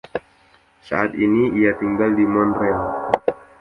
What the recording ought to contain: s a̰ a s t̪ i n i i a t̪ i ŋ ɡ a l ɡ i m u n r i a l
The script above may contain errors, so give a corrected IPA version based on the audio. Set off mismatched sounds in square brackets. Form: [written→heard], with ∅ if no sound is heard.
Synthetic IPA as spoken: s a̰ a [s→∅] t̪ i n i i a t̪ i ŋ ɡ a l [ɡ→d] i m [u→ɔ] n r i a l